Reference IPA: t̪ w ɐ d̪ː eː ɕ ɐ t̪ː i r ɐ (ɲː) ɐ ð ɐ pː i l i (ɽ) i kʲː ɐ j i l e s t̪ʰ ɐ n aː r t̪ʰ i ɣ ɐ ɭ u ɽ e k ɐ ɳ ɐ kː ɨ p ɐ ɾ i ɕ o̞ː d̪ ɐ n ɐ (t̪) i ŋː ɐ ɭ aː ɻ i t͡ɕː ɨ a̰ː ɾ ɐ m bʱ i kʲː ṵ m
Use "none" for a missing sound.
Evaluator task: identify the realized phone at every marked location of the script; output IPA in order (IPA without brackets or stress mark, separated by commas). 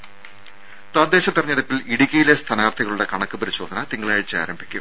ɲː, ɽ, t̪